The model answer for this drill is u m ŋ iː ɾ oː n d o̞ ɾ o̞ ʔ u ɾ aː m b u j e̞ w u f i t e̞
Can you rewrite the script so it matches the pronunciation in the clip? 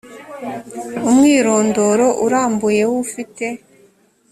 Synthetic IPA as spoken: u m ŋ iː ɾ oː n d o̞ ɾ o̞ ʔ u ɾ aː m b u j e̞ w u f i t e̞